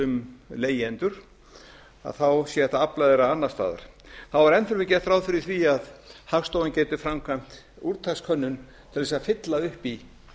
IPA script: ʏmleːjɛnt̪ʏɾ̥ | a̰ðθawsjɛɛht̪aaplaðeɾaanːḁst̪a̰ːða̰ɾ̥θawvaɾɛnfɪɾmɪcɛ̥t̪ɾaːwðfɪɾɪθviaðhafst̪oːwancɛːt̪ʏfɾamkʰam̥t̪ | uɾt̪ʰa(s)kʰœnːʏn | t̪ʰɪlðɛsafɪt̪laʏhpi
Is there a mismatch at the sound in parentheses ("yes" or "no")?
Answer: no